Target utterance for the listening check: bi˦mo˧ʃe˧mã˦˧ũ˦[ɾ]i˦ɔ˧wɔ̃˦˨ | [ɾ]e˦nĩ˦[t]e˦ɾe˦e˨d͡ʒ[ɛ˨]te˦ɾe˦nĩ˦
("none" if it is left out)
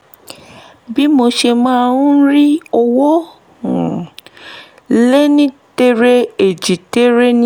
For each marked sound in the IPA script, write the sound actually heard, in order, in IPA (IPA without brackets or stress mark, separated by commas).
ɾ, l, t, i˨